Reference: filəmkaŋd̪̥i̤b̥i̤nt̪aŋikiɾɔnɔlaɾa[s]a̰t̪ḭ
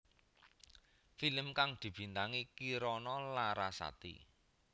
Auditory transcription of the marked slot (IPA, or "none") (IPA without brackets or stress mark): s